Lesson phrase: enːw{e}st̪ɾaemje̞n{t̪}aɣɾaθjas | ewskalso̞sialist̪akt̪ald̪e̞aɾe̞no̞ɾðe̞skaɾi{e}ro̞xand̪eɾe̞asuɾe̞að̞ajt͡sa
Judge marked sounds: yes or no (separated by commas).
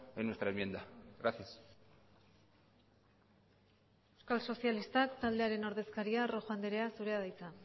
yes, no, no